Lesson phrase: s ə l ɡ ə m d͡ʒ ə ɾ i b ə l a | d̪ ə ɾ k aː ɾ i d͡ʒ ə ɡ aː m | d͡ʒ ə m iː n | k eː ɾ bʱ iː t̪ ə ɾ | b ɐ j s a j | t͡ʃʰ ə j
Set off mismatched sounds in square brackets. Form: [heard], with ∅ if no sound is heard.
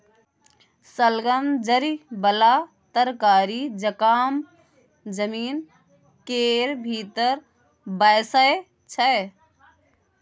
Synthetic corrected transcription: s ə l ɡ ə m d͡ʒ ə ɾ i b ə l a | [t̪] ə ɾ k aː ɾ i d͡ʒ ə [k] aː m | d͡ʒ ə m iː n | k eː ɾ bʱ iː t̪ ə ɾ | b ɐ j s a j | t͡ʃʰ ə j